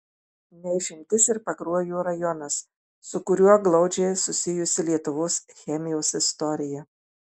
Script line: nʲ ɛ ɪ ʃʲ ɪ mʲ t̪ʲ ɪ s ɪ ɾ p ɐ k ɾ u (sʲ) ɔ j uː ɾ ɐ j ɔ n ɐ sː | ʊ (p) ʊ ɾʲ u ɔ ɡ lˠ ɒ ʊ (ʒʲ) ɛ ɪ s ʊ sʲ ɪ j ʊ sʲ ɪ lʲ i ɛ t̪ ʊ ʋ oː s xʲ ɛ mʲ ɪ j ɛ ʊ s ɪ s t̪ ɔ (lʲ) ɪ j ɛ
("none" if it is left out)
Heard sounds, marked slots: none, k, d͡ʒʲ, ɾʲ

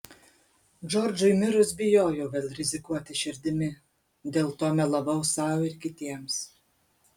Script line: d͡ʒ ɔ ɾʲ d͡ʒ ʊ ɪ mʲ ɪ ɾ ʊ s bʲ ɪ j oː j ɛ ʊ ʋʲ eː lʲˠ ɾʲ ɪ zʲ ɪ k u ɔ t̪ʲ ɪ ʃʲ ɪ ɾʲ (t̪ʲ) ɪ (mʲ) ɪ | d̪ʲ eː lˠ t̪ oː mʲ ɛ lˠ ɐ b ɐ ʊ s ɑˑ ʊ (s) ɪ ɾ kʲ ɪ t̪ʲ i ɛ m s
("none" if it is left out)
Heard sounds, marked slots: d̪ʲ, mʲ, none

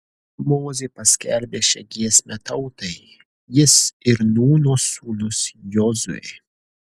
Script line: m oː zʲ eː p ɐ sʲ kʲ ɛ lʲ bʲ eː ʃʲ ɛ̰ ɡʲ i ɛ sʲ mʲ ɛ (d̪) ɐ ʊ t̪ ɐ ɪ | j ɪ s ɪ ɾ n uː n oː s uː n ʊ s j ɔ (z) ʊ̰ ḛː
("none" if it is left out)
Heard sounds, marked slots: t̪, z

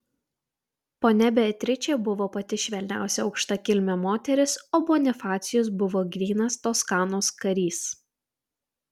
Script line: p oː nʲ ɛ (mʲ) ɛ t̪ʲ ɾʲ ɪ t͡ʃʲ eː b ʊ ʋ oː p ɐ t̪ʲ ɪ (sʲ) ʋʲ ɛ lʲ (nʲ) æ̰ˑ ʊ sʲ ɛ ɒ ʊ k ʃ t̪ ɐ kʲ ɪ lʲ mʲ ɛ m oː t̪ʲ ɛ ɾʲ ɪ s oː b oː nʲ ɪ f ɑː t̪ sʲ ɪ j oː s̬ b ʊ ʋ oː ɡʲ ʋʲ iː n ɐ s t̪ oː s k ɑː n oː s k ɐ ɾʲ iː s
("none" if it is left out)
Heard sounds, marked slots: bʲ, ʃʲ, nʲ

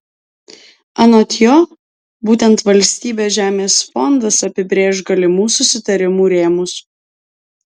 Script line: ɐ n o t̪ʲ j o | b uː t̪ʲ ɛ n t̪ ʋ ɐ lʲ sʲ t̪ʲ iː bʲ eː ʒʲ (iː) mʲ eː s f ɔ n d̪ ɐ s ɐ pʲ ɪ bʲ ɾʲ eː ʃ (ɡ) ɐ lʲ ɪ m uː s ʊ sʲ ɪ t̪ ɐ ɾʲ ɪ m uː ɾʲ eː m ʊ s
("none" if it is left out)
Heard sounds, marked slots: æː, ɡ

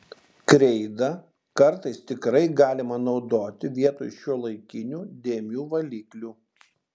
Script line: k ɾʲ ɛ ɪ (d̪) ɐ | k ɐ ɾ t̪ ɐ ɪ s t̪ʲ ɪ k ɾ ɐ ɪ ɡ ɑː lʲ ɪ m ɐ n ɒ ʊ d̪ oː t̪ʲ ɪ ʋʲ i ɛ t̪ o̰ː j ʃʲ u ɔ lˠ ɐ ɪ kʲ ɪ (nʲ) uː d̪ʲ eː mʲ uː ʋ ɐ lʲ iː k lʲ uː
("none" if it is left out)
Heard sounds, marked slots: d̪, nʲ

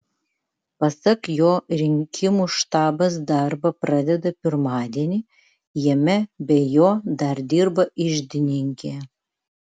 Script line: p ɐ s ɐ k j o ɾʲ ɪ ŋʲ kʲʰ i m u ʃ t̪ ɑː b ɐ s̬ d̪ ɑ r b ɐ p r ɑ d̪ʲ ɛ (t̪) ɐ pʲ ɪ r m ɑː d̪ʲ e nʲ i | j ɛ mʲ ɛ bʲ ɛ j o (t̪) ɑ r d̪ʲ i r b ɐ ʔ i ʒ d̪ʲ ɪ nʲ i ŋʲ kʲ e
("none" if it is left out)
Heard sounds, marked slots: d̪, d̪

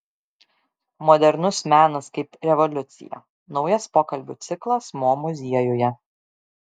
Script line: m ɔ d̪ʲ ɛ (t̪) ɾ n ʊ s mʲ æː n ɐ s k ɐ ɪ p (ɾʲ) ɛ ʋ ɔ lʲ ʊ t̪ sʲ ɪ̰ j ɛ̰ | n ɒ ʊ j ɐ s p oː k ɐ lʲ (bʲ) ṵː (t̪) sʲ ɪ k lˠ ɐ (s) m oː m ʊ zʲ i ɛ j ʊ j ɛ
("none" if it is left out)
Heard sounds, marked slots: none, ɾʲ, bʲ, t̪, s

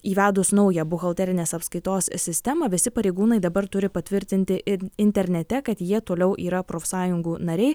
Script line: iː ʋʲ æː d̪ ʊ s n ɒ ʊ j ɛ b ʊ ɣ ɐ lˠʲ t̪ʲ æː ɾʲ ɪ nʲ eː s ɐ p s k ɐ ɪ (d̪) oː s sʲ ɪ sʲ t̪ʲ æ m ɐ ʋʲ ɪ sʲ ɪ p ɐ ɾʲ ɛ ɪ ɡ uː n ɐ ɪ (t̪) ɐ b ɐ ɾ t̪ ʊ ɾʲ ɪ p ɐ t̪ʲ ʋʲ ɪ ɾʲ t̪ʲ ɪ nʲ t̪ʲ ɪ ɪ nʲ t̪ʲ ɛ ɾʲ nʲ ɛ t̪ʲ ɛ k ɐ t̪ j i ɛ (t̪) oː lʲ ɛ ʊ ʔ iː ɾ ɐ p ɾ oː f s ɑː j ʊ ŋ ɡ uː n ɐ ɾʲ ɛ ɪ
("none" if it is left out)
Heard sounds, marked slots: t̪, d̪, t̪

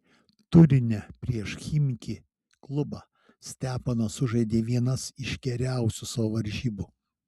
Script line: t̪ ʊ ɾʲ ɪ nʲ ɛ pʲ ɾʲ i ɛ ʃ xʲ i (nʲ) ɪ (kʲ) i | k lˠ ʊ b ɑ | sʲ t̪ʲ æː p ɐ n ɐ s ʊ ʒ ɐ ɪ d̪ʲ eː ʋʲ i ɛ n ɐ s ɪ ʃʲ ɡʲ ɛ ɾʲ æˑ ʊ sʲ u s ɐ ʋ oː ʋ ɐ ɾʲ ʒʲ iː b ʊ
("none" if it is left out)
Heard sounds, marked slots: mʲ, kʲ

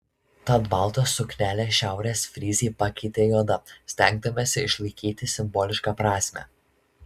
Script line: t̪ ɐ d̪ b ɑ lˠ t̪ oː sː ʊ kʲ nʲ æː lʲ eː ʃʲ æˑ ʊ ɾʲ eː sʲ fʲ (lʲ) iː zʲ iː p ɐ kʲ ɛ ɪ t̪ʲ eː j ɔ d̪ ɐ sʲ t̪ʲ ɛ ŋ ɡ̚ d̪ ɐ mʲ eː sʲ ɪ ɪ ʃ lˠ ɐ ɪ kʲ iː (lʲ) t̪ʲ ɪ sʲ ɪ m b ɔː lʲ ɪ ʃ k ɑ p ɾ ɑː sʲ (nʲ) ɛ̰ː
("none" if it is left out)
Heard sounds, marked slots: ɾʲ, none, mʲ

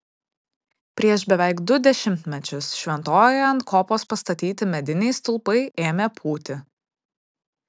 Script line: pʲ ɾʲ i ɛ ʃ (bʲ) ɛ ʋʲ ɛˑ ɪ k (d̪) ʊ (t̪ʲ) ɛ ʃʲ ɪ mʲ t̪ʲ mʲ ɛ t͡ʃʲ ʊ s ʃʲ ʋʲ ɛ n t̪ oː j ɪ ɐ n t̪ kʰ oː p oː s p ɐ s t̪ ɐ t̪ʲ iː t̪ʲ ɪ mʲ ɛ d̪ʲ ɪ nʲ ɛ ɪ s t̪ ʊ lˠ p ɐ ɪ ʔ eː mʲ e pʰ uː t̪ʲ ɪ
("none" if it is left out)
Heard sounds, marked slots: bʲ, d̪, d̪ʲ

